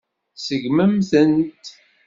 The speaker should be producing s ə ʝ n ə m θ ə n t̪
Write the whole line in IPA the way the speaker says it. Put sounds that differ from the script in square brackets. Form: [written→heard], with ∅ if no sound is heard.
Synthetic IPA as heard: s ə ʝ [n→m] ə m θ ə n t̪

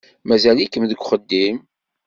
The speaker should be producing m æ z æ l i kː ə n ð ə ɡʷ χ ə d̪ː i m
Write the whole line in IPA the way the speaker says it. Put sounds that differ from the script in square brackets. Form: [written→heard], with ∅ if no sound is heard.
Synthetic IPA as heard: m æ z æ l i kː ə [n→m] ð ə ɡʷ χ ə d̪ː i m

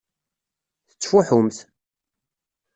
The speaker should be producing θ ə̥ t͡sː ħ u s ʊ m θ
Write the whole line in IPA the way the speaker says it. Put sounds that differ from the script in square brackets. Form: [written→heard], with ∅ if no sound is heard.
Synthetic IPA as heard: θ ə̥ t͡sː [ħ→f] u [s→ħ] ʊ m θ

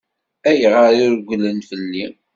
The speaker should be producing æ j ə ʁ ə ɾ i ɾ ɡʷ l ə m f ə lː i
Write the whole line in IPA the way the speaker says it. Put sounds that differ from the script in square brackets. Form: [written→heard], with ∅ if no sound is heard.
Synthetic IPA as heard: æ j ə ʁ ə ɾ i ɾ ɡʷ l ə [m→n] f ə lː i

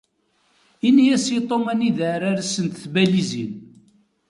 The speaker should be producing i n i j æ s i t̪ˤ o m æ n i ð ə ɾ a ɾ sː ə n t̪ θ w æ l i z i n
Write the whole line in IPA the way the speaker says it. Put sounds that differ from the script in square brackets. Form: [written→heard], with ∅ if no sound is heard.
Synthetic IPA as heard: i n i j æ s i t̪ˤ o m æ n i ð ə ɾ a ɾ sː ə n t̪ θ [w→b] æ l i z i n

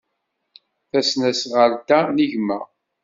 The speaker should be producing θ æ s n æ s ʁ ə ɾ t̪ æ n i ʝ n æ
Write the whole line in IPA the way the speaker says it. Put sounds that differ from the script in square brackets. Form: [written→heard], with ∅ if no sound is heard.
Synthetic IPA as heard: θ æ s n æ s ʁ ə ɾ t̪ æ n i ʝ [n→m] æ

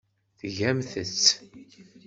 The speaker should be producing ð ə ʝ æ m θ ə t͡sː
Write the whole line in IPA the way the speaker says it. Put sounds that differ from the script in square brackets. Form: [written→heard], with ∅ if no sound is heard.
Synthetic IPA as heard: [ð→θ] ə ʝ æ m θ ə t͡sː

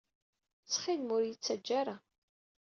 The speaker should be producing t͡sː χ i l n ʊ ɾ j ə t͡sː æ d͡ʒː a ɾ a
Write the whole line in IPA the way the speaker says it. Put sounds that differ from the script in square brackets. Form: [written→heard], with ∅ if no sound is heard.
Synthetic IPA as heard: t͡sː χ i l [n→m] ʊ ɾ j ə t͡sː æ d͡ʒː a ɾ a

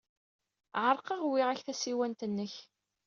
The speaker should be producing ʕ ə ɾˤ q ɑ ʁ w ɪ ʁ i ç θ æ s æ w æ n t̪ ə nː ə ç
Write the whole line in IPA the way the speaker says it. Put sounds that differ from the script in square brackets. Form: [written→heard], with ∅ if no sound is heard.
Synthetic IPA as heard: ʕ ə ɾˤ q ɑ ʁ w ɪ ʁ [i→æ] ç θ æ s [æ→i] w æ n t̪ ə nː ə ç

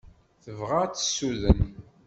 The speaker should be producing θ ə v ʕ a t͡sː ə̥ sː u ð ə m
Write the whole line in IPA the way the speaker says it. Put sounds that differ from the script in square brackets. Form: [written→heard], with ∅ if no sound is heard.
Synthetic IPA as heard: θ ə v [ʕ→ʁ] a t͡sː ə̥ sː u ð ə [m→n]

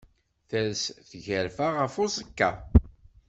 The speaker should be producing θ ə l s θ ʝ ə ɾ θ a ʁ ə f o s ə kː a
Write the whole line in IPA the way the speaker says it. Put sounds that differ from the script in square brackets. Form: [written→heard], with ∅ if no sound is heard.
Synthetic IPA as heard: θ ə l s θ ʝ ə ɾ [θ→f] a ʁ ə f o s ə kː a

